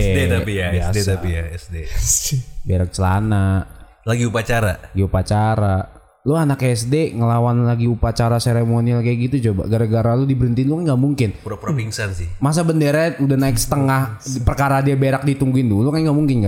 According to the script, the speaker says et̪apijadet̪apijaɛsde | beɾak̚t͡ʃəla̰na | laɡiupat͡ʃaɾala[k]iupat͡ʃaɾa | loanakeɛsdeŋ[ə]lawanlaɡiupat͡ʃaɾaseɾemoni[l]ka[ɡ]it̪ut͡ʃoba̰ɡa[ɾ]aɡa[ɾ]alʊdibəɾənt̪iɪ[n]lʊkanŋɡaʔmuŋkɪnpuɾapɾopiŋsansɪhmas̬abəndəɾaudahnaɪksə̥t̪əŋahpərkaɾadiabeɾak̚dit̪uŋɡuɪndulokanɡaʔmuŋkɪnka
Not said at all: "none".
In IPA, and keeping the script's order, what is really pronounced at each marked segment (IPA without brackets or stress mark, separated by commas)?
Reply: ɡ, ə, l, ɡ, ɾ, ɾ, n